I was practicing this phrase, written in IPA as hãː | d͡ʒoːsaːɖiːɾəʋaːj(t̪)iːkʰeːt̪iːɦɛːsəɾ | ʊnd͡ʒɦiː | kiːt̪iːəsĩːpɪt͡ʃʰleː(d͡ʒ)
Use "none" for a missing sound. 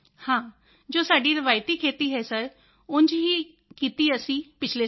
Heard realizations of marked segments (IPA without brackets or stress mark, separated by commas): t̪, none